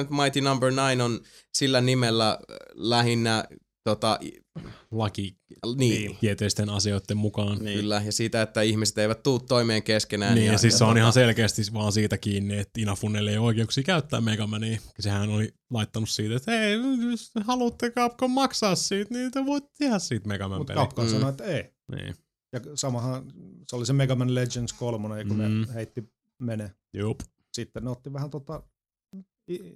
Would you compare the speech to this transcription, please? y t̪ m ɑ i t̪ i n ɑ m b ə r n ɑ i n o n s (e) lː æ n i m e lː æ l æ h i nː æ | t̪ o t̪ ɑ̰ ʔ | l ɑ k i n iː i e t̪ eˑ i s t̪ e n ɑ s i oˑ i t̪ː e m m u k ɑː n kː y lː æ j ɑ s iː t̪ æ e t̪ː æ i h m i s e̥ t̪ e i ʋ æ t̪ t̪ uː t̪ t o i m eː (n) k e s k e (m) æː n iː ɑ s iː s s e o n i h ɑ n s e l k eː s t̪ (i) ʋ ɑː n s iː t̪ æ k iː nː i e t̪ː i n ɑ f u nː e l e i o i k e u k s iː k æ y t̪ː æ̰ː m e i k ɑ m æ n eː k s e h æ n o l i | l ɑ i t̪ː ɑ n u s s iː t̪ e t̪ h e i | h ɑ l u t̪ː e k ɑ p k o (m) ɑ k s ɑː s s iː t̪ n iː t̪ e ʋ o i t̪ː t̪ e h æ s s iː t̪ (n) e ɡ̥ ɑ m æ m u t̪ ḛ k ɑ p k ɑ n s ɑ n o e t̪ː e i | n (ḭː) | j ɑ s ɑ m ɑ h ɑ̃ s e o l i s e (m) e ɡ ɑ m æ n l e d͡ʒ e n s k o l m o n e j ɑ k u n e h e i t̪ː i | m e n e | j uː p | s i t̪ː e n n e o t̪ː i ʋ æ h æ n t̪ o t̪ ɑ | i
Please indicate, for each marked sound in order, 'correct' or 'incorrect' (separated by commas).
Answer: incorrect, incorrect, incorrect, correct, correct, incorrect, correct, correct